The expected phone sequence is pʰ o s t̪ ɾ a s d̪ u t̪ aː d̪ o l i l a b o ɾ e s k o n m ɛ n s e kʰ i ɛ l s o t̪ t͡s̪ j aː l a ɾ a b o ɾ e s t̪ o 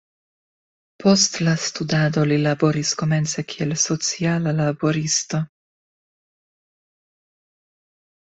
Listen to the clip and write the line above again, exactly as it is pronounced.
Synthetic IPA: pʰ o s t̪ l a s t̪ u d̪ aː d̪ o l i l a b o ɾ i s k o m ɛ n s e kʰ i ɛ l s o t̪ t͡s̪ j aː l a l a b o ɾ i s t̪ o